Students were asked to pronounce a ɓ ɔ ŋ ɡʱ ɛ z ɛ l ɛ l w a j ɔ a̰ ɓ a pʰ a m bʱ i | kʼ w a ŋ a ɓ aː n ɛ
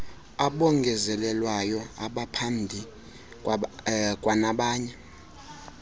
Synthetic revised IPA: a ɓ ɔ ŋ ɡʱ ɛ z ɛ l ɛ l w a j ɔ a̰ ɓ a pʰ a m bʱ i | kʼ w a n a ɓ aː ɲ ɛ